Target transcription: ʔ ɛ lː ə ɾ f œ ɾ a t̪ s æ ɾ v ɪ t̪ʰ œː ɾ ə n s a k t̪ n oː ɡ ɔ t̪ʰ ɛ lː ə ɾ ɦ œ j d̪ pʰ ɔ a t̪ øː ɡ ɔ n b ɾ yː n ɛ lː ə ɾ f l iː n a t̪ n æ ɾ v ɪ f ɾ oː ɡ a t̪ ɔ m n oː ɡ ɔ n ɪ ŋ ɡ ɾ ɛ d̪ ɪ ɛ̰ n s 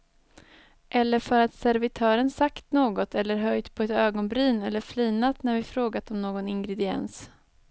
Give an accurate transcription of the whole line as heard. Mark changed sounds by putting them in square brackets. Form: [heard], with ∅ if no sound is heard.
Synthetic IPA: ʔ ɛ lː ə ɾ f œ ɾ a t̪ s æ ɾ v ɪ t̪ʰ œː ɾ ə n s a k t̪ n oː ɡ ɔ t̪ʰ ɛ lː ə ɾ ɦ œ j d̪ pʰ ɔ [ɛ] t̪ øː ɡ ɔ n b ɾ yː n ɛ lː ə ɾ f l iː n a t̪ n æ ɾ v ɪ f ɾ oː ɡ a t̪ ɔ m n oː ɡ ɔ n ɪ ŋ ɡ ɾ ɛ d̪ ɪ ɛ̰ n s

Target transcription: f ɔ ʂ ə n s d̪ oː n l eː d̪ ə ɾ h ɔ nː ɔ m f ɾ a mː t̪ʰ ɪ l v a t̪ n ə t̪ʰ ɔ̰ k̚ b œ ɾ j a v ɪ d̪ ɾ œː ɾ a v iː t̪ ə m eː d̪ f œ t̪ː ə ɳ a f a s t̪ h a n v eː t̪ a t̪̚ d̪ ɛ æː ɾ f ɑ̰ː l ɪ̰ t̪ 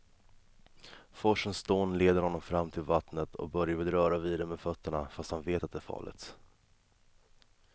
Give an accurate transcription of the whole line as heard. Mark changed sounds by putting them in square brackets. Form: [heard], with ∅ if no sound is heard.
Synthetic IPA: f ɔ ʂ ə n s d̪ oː n l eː d̪ ə ɾ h ɔ nː ɔ m f ɾ a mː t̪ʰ ɪ l v a t̪ n ə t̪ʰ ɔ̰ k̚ b œ ɾ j a v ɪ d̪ ɾ œː ɾ a v iː [d̪] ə m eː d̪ f œ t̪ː ə ɳ a f a s t̪ h a n v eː t̪ a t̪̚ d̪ ɛ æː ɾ f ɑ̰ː l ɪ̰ t̪

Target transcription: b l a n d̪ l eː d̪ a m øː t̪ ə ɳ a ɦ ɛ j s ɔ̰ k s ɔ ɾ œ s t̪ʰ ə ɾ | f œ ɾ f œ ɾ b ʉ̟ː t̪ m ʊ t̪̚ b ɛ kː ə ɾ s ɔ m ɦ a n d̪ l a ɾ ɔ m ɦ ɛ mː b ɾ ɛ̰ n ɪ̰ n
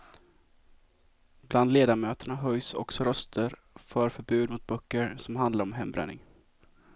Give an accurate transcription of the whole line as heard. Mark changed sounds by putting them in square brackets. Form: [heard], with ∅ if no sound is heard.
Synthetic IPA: b l a n d̪ l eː d̪ a m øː t̪ ə ɳ a ɦ [œ] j s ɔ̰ k s ɔ ɾ œ s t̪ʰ ə ɾ | f œ ɾ f œ ɾ b ʉ̟ː [d̪] m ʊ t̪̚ b [œ] kː ə ɾ s ɔ m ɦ a n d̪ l a ɾ ɔ m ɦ ɛ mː b ɾ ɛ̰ n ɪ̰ [ŋ]

